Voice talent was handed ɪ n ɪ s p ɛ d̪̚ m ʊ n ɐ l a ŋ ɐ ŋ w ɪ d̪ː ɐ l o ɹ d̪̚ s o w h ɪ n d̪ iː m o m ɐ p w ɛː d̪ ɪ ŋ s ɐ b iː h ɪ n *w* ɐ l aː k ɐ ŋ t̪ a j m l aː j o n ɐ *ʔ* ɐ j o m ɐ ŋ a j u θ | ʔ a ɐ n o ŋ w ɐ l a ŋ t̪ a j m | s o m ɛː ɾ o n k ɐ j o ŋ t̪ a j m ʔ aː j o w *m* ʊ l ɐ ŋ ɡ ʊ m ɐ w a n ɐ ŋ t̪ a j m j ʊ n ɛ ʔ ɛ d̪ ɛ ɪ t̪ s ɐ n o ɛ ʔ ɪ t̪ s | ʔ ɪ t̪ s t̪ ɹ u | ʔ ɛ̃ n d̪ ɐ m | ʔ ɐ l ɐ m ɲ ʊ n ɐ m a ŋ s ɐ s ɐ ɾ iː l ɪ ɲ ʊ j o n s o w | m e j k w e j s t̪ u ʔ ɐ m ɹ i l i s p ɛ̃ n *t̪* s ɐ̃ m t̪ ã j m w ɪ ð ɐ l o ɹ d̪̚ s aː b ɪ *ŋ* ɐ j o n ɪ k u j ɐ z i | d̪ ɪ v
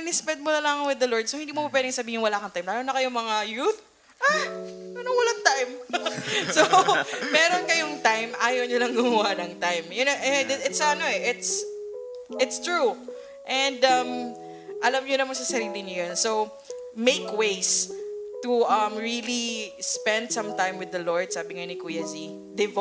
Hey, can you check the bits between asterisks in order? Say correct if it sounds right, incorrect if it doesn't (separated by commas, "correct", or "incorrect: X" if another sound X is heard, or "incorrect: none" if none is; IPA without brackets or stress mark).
correct, incorrect: k, incorrect: ɲ, incorrect: d̪, correct